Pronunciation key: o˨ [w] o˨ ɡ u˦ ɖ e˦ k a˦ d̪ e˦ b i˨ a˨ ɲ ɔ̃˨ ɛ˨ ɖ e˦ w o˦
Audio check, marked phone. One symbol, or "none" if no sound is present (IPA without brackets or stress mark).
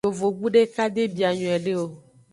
v